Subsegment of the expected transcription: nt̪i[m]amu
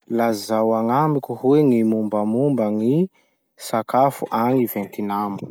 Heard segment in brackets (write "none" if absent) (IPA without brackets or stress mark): n